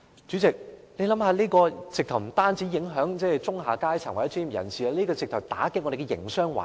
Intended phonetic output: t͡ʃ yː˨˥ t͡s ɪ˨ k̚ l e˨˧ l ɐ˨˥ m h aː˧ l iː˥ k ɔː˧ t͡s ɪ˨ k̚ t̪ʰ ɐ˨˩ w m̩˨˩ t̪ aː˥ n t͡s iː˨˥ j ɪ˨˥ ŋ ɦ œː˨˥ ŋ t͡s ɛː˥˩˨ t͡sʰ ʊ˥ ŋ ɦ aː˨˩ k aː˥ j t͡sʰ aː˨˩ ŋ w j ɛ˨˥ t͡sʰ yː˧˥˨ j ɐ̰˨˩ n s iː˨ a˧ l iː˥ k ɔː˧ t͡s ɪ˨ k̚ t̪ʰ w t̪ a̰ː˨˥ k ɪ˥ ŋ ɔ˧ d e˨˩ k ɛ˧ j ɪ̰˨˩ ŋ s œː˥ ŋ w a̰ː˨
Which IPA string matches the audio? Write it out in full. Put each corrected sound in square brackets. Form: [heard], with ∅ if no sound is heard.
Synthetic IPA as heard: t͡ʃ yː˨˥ t͡s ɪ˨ k̚ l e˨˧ l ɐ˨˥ m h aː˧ l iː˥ k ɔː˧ t͡s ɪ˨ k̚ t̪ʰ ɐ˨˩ w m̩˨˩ t̪ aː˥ n t͡s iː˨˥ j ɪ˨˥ ŋ ɦ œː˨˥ ŋ t͡s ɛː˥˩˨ [t͡s] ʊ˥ ŋ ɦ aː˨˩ k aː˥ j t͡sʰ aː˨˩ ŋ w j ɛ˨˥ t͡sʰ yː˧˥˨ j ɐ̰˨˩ n s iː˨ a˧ l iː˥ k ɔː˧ t͡s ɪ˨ k̚ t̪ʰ w t̪ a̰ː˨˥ k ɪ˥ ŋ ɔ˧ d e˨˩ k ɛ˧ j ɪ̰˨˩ ŋ s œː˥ ŋ w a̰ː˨